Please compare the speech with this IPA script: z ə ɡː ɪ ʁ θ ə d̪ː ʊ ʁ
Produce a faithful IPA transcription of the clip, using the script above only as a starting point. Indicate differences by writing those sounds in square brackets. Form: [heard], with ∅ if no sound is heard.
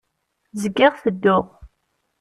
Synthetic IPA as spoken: z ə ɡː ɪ ʁ θ ə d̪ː ʊ ʁ